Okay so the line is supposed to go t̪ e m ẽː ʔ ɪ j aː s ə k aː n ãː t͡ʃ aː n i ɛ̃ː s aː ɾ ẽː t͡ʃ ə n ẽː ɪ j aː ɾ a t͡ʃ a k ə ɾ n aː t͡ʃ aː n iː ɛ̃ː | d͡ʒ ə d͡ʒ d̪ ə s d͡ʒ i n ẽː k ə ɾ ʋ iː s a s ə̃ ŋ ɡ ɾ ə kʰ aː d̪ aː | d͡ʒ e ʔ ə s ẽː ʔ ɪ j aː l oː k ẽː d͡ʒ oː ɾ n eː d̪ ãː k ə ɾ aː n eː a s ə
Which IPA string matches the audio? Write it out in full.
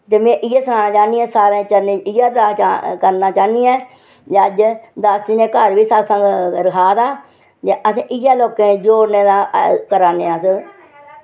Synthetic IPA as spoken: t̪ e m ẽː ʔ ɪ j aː s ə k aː n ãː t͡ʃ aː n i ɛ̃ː s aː ɾ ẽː t͡ʃ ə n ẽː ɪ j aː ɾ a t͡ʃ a k ə ɾ n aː t͡ʃ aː n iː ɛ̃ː | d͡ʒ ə d͡ʒ d̪ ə s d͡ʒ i n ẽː k ə ɾ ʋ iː s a s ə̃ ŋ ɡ ɾ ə kʰ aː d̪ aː | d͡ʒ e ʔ ə s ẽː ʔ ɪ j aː l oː k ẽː d͡ʒ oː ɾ n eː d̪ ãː k ə ɾ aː n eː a s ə